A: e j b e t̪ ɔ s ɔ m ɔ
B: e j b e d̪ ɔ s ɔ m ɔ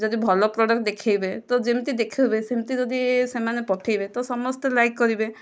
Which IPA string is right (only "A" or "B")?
A